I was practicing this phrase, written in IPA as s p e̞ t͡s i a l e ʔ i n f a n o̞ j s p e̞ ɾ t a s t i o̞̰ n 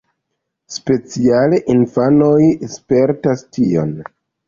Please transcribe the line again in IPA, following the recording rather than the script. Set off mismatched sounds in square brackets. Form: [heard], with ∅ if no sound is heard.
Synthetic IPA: s p e̞ t͡s i a l e ʔ i n f a n o̞ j s p e̞ ɾ t a s t i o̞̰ n